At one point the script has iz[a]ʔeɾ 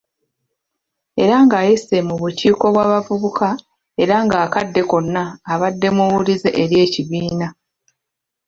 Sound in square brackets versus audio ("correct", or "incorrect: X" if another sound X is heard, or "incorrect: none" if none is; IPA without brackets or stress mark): incorrect: e